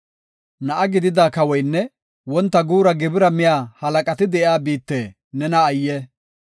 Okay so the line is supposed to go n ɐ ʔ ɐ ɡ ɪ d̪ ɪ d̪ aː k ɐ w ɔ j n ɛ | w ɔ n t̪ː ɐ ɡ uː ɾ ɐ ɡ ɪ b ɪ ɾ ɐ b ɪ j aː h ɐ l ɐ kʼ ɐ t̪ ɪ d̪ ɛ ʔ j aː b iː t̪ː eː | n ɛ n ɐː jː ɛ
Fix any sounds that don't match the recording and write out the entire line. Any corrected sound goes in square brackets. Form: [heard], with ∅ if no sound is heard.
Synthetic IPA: n ɐ ʔ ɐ ɡ ɪ d̪ ɪ d̪ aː k ɐ w ɔ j [nː] ɛ | w ɔ n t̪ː ɐ ɡ uː ɾ ɐ ɡ ɪ b ɪ ɾ ɐ [m] ɪ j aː h ɐ l ɐ kʼ ɐ t̪ ɪ d̪ ɛ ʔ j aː b iː t̪ː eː | n ɛ n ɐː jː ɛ